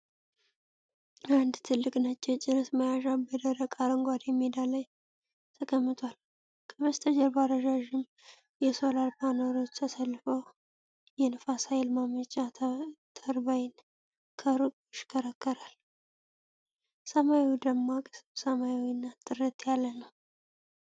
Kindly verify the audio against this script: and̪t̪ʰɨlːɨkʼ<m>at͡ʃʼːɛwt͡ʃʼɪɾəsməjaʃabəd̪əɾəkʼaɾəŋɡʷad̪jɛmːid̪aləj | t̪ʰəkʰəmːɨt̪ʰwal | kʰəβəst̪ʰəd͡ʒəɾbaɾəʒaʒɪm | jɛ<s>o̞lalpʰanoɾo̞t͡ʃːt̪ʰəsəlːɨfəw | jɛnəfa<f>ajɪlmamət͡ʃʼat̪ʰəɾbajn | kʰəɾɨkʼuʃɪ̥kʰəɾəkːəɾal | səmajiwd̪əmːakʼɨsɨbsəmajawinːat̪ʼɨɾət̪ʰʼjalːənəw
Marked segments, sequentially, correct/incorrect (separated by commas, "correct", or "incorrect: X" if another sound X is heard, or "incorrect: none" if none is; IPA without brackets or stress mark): incorrect: n, correct, incorrect: s